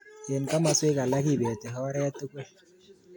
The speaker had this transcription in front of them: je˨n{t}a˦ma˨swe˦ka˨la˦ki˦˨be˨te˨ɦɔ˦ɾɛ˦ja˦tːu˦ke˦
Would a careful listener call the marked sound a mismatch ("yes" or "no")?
yes